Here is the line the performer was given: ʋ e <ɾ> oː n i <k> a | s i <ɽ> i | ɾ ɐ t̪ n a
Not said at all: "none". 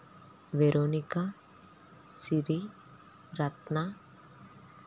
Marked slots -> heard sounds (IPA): ɾ, k, ɾ

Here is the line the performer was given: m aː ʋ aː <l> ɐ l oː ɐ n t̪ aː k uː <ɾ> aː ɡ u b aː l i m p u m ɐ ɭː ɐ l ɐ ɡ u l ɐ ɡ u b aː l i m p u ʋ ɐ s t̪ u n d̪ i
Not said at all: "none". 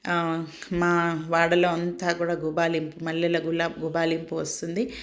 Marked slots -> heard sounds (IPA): ɽ, ɽ

